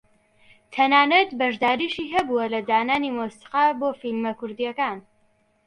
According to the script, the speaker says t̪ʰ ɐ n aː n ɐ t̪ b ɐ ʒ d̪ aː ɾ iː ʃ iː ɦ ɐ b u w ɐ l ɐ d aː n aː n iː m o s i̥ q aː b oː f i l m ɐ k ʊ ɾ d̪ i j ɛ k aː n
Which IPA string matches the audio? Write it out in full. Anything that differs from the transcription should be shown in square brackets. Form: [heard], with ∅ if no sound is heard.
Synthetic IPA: t̪ʰ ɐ n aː n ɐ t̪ b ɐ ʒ d̪ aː ɾ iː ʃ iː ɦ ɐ b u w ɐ l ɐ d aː n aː n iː m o s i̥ q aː b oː f i l m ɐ k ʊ ɾ d̪ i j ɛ k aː n